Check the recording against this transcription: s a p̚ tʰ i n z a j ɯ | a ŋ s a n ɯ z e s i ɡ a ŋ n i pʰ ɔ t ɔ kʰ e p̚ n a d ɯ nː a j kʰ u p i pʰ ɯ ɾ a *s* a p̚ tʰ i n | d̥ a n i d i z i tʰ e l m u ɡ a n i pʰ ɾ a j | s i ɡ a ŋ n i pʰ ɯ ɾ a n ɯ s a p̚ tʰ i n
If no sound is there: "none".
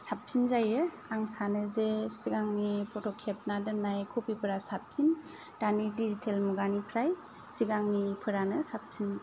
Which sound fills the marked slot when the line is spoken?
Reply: s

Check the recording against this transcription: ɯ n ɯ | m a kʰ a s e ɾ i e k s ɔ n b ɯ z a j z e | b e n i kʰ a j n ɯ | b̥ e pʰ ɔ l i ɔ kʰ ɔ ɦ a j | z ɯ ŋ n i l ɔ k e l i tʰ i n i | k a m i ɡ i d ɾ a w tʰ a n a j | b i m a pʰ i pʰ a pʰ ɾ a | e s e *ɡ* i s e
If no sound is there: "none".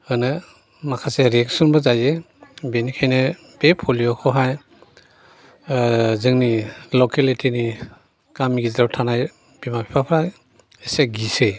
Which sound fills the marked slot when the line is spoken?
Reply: ɡ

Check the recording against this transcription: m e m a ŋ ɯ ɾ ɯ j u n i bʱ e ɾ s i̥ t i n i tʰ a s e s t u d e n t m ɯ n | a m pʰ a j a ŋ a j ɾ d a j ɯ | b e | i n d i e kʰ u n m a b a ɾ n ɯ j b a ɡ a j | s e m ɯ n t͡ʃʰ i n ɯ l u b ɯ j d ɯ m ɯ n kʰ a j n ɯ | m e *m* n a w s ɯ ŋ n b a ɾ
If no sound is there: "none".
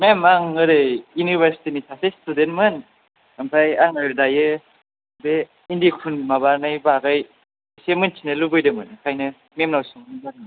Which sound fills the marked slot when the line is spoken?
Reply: m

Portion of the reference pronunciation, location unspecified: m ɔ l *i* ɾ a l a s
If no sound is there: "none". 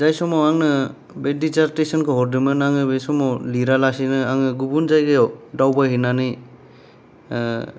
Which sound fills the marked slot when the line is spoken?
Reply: i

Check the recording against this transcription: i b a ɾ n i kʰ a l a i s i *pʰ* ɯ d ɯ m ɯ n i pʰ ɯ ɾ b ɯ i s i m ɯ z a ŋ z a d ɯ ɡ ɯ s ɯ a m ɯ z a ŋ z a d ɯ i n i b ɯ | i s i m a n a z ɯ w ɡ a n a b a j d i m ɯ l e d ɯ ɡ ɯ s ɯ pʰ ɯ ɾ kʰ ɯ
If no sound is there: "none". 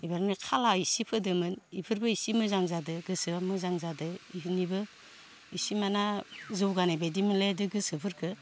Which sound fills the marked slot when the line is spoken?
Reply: pʰ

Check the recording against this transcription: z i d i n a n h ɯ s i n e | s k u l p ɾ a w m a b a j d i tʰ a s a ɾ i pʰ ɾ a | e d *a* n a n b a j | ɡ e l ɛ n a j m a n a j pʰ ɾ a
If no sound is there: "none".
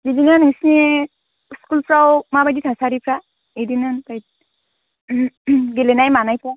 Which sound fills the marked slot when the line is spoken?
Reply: i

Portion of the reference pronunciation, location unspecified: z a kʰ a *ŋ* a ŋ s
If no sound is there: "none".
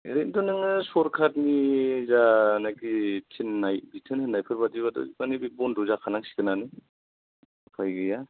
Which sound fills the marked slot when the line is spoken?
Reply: n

